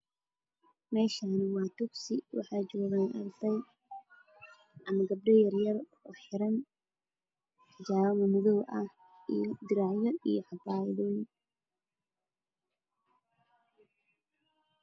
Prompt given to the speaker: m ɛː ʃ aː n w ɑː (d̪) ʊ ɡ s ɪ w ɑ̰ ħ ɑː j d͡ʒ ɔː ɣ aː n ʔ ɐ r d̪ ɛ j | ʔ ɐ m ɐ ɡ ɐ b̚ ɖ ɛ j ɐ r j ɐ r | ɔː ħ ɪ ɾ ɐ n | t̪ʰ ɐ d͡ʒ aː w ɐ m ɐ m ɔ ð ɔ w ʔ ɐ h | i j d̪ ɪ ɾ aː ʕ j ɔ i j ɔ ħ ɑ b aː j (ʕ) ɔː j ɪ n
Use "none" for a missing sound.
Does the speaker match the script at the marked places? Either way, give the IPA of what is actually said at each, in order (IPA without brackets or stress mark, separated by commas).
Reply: t̪, ð